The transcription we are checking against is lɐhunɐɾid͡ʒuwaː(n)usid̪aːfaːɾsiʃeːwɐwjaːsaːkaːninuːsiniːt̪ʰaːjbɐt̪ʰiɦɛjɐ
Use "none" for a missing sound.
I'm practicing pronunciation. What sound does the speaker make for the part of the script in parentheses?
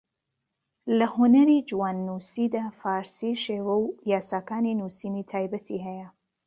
nː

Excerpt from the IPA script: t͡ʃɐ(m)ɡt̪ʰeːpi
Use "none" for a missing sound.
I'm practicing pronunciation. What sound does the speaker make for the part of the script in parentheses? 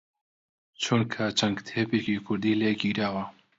ŋ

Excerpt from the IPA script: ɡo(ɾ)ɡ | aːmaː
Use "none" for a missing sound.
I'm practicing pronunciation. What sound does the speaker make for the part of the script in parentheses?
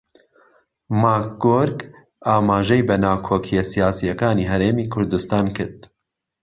ɾ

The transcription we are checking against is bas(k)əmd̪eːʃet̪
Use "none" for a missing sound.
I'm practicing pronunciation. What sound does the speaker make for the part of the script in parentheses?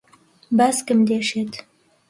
k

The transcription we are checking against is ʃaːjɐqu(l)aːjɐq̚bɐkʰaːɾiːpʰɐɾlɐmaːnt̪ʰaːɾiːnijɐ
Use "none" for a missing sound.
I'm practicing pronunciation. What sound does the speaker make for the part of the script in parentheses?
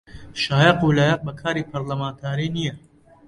l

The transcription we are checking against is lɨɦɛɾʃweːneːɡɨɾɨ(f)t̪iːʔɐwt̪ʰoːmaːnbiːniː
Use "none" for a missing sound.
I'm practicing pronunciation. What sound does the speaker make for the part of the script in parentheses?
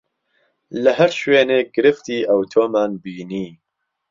f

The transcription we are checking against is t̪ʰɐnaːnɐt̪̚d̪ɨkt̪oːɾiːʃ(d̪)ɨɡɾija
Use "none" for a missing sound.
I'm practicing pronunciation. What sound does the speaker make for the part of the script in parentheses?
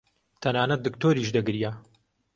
d̪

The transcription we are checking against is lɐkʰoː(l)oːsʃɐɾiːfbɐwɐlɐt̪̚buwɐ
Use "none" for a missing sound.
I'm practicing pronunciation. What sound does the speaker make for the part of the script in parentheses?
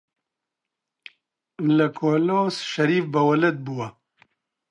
l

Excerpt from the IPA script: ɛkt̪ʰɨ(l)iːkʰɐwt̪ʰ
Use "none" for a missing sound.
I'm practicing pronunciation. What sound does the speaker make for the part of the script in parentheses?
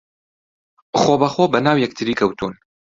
ɾ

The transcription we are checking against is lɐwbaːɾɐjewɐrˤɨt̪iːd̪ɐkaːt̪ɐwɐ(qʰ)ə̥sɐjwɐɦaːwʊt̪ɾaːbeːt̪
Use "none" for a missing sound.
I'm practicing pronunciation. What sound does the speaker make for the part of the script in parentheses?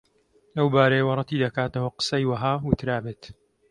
q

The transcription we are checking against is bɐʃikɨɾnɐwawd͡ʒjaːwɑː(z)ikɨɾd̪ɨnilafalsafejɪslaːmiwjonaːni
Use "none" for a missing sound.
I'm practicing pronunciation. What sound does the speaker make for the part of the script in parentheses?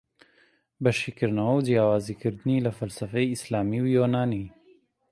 z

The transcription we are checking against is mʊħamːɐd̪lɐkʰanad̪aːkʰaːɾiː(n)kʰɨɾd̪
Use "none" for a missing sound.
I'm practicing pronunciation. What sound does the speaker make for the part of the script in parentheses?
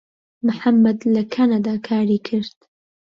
none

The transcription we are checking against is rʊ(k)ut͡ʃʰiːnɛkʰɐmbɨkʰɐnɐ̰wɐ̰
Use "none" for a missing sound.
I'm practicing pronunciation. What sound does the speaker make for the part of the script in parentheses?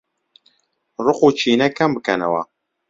q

